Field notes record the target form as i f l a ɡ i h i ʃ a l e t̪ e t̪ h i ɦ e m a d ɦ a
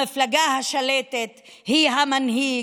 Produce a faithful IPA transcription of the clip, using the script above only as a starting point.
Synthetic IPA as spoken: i f l a ɡ a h a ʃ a l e t̪ e t̪ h i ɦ a m a n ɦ i